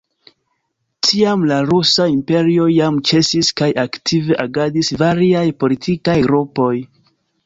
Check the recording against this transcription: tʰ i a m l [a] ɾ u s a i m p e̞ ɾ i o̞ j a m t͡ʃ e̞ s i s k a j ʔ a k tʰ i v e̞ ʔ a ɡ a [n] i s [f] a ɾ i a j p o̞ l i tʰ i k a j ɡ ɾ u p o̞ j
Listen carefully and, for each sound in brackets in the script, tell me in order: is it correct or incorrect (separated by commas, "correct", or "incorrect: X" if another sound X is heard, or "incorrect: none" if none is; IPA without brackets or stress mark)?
correct, incorrect: d, incorrect: v